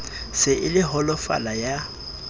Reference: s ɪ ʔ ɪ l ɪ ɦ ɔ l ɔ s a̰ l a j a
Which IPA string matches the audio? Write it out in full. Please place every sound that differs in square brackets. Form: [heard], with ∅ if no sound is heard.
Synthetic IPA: s ɪ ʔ ɪ l ɪ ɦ ɔ l ɔ [f] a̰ l a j a